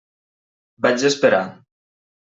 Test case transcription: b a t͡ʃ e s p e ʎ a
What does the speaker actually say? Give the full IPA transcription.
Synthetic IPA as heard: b a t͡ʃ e s p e ɾ a